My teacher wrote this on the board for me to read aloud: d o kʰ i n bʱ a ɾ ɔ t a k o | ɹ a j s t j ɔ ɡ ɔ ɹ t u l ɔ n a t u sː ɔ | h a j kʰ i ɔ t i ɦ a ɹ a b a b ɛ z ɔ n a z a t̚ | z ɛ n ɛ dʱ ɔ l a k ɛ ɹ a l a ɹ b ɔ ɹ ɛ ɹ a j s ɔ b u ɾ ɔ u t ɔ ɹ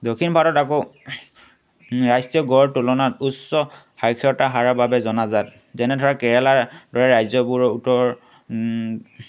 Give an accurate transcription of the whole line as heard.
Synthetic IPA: d o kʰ i n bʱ a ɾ ɔ t a k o | ɹ a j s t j ɔ ɡ ɔ ɹ t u l ɔ n a t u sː ɔ | h a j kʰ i ɔ t a ɦ a ɹ a b a b ɛ z ɔ n a z a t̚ | z ɛ n ɛ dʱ ɔ ɹ a k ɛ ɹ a l a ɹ d ɔ ɹ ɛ ɹ a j z ɔ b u ɹ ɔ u t ɔ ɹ